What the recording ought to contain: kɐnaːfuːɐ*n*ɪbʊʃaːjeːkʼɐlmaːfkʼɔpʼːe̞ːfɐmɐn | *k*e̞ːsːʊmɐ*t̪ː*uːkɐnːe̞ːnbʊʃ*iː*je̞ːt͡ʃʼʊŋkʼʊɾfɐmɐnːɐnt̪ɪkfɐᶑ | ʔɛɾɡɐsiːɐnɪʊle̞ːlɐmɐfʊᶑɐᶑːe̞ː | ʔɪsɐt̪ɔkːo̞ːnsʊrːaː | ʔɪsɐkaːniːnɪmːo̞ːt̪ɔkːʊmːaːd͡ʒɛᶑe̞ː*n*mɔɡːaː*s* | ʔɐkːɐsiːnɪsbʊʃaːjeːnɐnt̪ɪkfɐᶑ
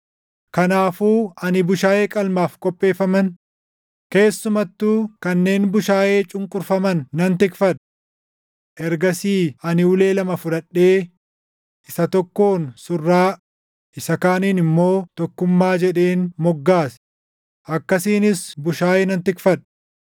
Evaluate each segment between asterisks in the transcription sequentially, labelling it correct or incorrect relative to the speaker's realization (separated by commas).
correct, correct, correct, incorrect, correct, correct